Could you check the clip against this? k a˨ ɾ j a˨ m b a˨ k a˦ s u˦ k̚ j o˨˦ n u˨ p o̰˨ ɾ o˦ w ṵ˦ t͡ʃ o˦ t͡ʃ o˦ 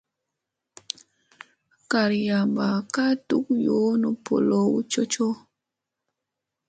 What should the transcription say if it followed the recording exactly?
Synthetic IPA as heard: k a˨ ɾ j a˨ m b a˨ k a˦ t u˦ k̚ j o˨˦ n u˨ p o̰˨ l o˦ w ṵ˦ t͡ʃ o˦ t͡ʃ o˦